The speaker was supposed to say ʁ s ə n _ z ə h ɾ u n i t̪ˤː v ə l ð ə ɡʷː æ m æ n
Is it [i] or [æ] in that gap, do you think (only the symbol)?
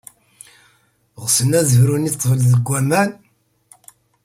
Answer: æ